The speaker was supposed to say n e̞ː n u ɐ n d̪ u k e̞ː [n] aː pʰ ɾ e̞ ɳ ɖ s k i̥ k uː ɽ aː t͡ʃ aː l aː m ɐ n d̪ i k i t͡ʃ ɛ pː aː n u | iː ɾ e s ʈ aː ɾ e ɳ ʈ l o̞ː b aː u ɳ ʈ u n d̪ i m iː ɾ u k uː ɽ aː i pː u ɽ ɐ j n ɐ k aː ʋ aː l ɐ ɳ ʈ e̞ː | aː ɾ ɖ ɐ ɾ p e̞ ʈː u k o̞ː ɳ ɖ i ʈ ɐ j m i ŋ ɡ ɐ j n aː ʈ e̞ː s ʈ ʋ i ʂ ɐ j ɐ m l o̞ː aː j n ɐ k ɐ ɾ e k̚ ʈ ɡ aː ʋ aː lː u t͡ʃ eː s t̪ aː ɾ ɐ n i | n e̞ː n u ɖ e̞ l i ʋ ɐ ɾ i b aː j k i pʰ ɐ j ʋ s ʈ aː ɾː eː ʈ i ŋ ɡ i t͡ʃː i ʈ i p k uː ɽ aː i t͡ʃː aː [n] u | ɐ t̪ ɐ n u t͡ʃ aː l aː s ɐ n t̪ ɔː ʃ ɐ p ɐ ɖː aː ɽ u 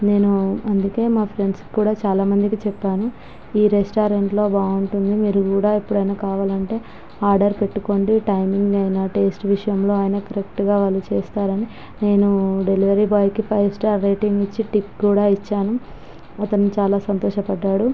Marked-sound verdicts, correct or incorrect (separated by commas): incorrect, correct